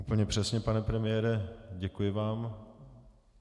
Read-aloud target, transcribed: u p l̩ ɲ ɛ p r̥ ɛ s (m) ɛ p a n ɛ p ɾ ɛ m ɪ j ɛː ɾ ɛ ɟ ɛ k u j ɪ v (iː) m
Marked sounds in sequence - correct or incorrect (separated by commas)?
incorrect, incorrect